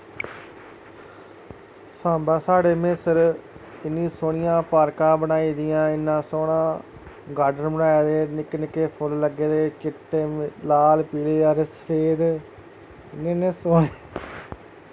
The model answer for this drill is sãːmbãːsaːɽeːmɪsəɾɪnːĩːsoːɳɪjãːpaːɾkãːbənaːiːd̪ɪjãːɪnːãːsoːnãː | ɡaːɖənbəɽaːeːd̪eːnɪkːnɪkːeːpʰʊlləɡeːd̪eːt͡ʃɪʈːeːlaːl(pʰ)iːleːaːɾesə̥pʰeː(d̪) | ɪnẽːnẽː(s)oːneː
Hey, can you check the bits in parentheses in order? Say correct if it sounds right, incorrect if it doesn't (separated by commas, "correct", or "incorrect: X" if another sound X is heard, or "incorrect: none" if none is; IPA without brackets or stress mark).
incorrect: p, correct, correct